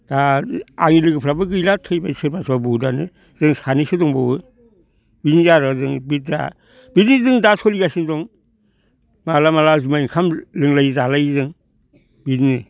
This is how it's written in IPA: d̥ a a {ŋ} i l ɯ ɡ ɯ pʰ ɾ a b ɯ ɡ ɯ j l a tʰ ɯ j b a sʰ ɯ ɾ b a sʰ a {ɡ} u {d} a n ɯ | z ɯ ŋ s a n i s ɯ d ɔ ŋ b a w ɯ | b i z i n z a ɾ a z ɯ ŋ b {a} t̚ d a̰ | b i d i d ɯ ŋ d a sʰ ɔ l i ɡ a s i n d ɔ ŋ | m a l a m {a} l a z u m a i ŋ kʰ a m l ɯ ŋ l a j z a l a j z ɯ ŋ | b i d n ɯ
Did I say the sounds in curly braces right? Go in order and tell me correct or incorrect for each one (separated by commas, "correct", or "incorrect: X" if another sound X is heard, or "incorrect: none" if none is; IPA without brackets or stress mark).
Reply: correct, incorrect: b, correct, incorrect: i, correct